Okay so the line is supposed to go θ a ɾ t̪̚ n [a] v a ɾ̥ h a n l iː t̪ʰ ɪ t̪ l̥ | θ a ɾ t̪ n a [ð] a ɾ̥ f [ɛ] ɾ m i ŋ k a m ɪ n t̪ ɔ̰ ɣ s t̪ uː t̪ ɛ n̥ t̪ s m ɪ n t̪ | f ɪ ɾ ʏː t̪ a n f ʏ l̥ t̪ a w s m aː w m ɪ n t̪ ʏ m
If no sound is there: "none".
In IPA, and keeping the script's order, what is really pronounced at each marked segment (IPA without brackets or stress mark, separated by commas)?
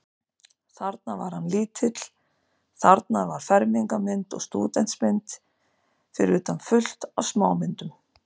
a, v, ɛ